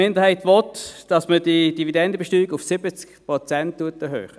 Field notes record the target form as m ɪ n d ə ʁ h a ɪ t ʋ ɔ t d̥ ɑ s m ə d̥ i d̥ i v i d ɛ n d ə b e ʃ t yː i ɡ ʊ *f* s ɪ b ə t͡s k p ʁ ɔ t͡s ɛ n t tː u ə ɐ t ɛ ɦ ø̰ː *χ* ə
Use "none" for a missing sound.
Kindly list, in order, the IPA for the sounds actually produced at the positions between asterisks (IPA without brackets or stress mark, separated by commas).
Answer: f, χ